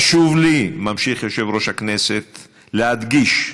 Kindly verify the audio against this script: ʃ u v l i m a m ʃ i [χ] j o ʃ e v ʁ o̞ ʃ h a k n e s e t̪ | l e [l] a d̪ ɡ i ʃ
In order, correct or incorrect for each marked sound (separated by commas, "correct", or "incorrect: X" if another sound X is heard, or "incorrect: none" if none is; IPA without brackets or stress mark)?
correct, incorrect: none